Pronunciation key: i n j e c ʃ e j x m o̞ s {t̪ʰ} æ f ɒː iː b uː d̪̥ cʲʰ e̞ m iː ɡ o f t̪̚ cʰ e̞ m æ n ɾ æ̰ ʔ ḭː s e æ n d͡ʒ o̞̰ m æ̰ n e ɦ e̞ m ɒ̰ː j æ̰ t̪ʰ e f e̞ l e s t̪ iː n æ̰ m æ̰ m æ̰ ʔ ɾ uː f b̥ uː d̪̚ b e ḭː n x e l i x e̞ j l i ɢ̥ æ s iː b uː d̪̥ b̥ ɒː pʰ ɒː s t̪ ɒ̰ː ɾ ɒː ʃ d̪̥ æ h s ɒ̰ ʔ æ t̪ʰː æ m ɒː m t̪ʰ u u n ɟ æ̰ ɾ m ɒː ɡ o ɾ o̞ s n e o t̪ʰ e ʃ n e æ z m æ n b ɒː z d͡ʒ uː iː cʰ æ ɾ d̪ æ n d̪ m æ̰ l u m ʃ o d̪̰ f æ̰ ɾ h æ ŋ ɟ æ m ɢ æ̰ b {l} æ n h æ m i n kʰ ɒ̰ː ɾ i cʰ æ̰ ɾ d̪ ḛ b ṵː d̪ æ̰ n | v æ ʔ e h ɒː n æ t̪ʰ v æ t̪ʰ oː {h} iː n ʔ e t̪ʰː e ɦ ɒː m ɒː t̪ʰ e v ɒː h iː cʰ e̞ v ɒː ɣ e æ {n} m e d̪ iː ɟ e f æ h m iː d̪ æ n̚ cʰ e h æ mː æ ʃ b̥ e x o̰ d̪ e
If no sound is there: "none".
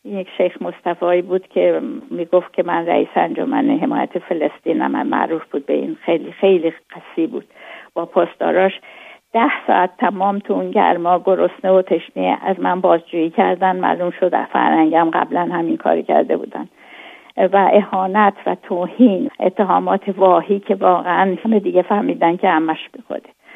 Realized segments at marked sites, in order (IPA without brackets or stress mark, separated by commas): t̪, l, h, n